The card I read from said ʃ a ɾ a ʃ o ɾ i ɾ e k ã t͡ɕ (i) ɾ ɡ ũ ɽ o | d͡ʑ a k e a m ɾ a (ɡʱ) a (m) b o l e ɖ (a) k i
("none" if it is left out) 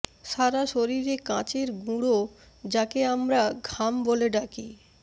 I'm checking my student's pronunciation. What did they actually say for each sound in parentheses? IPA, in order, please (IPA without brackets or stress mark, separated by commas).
e, ɡʱ, m, a